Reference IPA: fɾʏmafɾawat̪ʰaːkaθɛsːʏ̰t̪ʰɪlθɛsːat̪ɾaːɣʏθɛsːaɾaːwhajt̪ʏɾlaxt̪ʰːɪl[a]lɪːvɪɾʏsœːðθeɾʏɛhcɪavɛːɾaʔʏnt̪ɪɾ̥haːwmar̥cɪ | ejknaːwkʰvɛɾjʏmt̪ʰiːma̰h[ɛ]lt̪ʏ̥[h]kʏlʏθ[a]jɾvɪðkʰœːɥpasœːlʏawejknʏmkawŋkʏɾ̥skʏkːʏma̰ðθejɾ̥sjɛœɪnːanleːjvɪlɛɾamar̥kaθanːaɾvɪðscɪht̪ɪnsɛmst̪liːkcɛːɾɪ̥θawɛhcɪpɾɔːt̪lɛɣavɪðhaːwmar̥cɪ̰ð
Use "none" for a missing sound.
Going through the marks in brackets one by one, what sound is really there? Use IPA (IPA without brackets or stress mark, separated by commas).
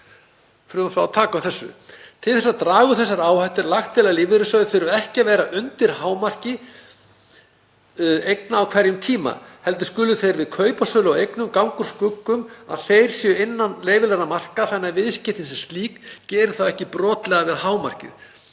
a, ɛ, s, e